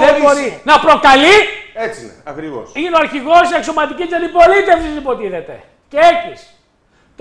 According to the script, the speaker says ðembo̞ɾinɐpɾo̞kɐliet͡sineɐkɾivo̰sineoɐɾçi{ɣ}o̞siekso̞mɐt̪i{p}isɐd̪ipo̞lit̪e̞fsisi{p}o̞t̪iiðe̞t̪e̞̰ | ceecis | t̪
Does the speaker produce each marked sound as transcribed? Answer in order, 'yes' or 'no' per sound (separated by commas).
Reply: yes, no, yes